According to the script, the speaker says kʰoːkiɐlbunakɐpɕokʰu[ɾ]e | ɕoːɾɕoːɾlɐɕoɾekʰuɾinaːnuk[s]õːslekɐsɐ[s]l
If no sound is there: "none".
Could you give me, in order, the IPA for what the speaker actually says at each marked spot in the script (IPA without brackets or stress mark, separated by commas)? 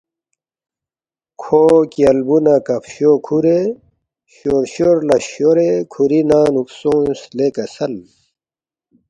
ɾ, s, none